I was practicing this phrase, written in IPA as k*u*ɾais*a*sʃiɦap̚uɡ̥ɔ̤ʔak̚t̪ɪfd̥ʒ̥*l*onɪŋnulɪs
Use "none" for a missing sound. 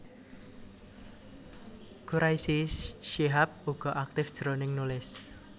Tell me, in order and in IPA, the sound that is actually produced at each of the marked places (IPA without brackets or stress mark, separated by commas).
u, i, ɾ